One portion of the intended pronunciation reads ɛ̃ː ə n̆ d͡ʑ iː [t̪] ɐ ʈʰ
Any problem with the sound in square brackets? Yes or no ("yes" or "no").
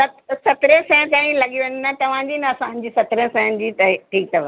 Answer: no